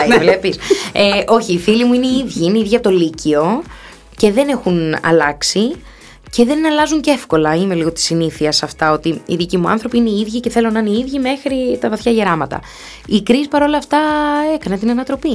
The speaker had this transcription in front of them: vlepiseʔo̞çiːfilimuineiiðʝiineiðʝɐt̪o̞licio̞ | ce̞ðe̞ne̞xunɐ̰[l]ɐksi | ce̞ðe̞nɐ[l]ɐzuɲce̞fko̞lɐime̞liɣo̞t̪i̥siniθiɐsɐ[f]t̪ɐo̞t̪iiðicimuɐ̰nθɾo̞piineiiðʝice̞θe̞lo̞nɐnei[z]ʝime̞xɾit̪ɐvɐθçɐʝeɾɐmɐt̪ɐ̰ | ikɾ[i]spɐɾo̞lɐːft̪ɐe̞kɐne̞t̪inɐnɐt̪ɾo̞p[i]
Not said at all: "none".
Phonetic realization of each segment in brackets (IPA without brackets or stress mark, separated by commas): l, l, f, ð, i, i